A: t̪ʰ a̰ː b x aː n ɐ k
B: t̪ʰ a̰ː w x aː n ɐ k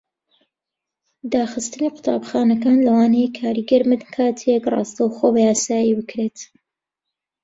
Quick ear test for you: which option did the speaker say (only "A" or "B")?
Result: A